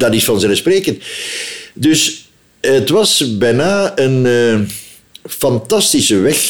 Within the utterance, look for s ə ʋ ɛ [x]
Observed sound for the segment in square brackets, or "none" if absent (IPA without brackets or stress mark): x